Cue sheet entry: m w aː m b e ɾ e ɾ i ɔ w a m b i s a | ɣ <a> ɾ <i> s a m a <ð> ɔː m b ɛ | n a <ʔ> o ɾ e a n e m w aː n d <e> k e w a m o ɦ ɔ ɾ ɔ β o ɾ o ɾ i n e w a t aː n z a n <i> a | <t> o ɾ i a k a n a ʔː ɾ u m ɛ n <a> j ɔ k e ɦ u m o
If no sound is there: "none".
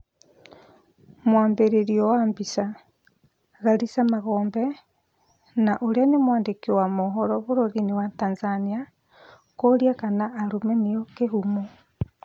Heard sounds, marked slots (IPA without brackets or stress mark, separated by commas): a, i, ɣ, ʔ, e, i, k, e